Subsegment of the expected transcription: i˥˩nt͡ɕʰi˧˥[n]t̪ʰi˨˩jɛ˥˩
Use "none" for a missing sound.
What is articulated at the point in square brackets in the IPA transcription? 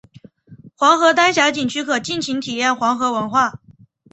ŋ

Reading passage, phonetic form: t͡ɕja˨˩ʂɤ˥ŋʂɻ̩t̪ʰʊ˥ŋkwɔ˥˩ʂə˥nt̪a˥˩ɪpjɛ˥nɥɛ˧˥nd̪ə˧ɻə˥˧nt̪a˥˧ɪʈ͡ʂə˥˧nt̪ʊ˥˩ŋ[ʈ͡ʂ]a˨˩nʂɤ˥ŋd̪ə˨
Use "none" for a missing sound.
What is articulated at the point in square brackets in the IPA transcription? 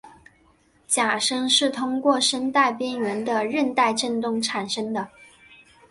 ʈ͡ʂʰ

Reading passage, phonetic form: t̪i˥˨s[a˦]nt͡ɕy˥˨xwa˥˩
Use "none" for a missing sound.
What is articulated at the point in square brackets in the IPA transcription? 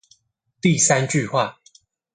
a˦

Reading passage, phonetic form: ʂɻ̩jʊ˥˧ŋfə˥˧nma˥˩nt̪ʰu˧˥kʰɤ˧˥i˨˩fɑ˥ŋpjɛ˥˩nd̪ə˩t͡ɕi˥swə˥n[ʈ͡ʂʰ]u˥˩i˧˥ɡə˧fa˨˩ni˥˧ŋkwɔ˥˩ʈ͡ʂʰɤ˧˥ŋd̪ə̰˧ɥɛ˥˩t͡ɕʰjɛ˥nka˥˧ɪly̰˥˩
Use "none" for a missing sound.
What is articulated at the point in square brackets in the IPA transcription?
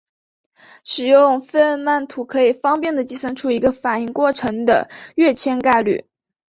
ʈ͡ʂʰ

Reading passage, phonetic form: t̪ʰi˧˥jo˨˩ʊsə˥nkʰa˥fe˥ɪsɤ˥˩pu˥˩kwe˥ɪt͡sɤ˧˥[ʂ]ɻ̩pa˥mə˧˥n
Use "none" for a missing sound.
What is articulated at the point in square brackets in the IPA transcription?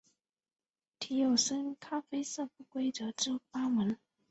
ʈ͡ʂ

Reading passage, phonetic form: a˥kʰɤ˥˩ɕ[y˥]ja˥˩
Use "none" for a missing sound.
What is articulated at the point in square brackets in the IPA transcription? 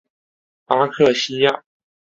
i˥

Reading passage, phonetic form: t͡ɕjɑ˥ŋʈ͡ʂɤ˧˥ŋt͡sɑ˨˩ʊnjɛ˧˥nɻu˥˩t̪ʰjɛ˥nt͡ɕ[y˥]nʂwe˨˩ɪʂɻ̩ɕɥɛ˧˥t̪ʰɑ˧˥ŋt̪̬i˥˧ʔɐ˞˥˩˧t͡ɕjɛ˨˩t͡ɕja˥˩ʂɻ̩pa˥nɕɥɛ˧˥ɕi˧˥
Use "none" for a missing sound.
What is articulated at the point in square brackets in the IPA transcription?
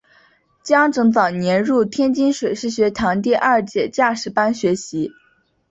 i˥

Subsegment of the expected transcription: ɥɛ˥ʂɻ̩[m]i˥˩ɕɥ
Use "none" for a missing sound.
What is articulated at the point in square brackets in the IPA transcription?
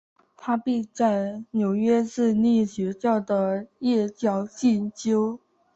n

